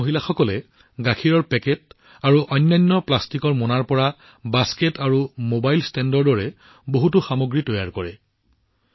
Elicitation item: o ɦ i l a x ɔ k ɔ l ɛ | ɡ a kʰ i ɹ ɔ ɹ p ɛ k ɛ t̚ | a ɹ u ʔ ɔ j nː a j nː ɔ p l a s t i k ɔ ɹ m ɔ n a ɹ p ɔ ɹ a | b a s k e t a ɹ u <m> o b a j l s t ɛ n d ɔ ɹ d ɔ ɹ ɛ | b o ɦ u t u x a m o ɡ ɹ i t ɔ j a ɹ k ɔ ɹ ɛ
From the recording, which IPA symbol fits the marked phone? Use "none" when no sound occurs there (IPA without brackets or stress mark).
m